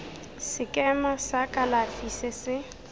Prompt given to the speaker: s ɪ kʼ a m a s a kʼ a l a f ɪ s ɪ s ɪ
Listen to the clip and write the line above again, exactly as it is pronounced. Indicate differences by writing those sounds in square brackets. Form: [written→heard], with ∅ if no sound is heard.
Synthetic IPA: s ɪ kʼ [a→ɛ] m a s a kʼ a l a f [ɪ→i] s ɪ s ɪ